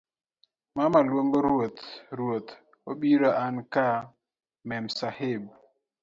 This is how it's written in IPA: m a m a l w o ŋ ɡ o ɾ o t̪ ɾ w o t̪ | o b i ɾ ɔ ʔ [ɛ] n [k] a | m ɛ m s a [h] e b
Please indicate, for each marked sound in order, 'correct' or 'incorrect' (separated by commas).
incorrect, correct, correct